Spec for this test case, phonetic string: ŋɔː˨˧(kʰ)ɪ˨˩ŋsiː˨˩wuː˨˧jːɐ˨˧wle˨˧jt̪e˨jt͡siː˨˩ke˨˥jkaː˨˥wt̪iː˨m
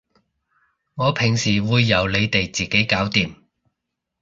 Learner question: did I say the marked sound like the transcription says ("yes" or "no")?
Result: no